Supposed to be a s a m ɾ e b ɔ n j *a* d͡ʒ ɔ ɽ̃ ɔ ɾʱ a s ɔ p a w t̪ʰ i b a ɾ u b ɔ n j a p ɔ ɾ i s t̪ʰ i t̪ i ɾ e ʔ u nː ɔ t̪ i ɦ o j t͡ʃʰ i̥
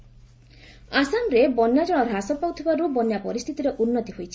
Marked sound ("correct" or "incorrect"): correct